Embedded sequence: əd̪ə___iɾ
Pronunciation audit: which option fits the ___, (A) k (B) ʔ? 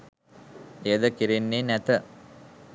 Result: A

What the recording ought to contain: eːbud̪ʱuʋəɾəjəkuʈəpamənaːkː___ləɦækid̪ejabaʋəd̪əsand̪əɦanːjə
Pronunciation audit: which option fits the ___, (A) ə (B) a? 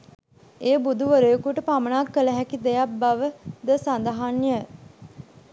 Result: A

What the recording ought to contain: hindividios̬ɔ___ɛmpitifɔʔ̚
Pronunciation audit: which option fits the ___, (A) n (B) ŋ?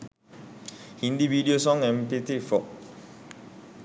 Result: B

